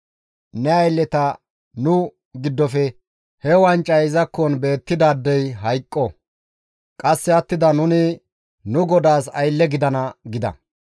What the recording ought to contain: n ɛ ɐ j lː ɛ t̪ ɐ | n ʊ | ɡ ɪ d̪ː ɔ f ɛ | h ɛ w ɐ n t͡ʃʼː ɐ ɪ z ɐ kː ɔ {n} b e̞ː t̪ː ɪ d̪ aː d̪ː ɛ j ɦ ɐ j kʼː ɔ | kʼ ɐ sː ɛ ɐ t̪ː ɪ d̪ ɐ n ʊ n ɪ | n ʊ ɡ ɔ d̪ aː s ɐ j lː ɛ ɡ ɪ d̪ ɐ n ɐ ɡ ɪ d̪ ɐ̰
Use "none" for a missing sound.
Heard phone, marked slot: n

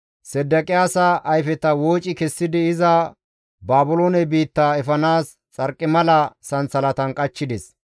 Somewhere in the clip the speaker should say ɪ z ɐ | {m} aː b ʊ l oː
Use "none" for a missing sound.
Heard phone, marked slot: b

